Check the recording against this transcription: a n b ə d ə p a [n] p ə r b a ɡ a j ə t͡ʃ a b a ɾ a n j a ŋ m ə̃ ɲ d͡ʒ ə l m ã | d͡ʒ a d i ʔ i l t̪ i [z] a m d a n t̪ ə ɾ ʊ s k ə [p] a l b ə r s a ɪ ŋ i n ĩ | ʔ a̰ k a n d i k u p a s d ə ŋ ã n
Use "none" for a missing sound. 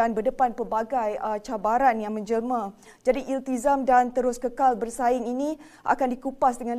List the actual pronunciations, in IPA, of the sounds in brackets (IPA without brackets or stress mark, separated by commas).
n, z, k